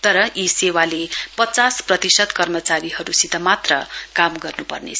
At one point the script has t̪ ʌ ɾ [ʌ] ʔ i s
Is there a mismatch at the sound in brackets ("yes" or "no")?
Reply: no